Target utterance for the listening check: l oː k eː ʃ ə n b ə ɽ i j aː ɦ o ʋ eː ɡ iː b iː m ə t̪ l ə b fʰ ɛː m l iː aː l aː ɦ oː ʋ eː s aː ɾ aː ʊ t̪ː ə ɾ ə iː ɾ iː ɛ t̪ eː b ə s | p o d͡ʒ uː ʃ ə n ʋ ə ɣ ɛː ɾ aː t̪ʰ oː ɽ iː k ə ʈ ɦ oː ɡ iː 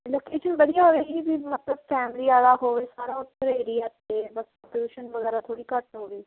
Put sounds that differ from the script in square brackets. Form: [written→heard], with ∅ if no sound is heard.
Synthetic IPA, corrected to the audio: l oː k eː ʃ ə n b ə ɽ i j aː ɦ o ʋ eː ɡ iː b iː m ə t̪ l ə b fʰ ɛː m l iː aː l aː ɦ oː ʋ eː s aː ɾ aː ʊ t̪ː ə ɾ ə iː ɾ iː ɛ t̪ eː b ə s | p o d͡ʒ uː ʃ ə n ʋ ə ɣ ɛː ɾ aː t̪ʰ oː ɽ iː k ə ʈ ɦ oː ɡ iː